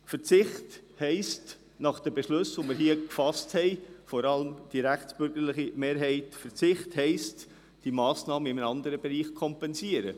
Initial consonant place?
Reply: labial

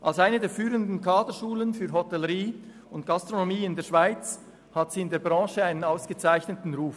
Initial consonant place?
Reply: glottal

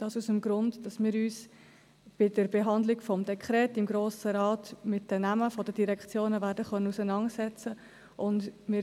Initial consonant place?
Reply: alveolar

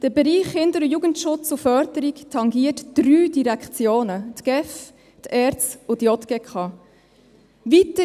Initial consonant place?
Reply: alveolar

